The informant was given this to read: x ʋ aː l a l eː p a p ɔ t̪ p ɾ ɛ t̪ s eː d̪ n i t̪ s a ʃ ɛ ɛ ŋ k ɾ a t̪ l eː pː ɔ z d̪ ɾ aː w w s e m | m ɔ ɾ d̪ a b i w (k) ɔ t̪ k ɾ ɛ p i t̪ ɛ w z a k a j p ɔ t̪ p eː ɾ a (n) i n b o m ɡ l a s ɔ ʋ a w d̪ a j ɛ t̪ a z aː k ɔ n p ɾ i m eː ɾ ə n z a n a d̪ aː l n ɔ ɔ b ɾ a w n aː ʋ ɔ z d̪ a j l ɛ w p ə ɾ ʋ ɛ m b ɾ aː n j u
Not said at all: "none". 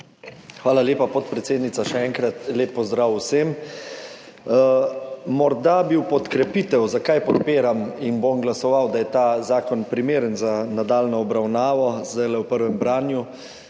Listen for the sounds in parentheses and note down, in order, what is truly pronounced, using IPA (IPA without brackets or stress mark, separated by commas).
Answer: p, m